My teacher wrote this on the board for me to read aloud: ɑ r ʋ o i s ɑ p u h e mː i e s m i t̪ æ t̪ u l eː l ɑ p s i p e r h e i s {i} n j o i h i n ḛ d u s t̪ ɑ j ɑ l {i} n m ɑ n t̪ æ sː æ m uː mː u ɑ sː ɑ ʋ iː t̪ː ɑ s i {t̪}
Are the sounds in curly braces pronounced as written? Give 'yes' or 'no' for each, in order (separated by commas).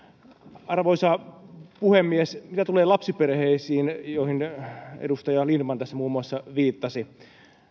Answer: no, yes, no